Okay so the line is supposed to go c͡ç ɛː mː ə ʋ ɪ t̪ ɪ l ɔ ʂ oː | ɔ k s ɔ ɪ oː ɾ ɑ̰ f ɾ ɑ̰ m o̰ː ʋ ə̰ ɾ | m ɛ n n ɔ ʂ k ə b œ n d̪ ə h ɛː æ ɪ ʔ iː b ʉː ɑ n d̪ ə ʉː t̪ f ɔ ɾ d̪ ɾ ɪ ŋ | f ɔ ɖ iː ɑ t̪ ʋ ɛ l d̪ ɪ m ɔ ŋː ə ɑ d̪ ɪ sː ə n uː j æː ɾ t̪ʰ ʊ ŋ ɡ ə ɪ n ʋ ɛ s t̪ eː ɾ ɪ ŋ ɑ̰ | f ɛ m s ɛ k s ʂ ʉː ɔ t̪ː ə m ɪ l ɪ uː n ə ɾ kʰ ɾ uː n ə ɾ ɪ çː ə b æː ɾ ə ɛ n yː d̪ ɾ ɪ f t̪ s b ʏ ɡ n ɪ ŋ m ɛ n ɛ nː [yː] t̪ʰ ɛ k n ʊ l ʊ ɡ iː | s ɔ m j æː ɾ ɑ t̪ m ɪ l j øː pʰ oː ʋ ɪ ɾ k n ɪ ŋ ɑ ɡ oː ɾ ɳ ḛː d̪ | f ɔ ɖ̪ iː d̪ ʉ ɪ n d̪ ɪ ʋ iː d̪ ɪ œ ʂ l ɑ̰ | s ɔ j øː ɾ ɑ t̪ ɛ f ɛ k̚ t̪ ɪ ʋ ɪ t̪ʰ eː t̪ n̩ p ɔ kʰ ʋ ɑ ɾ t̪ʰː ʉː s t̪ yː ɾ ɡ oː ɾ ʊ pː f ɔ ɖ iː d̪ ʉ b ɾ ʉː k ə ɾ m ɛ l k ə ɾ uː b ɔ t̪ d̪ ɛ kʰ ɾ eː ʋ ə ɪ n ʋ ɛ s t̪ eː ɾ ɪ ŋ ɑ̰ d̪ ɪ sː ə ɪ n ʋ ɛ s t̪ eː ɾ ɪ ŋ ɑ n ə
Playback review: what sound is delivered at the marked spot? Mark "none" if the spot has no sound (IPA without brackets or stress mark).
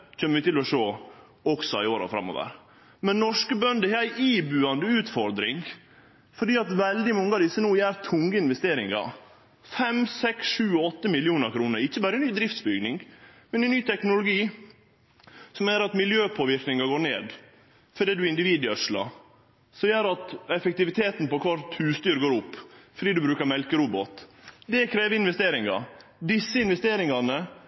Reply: yː